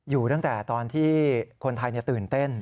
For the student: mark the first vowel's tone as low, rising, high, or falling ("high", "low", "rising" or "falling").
low